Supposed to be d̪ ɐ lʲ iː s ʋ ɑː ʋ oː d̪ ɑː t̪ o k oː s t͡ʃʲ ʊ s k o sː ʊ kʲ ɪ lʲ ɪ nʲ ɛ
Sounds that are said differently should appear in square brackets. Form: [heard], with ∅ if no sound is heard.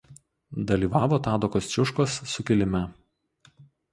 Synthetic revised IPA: d̪ ɐ lʲ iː [∅] ʋ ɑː ʋ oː [t̪] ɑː [d̪] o k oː s t͡ʃʲ ʊ [ʃ] k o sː ʊ kʲ ɪ lʲ ɪ [mʲ] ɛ